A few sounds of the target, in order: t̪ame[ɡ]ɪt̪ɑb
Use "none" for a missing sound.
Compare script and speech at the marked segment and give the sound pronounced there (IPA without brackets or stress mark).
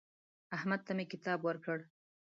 k